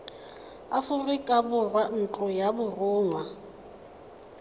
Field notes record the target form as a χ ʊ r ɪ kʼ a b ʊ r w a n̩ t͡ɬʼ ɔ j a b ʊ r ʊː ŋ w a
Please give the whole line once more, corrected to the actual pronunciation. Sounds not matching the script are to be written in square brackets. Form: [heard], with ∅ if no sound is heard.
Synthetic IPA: a [f] ʊ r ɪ kʼ a b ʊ r w a n̩ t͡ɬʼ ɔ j a b ʊ r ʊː ŋ w a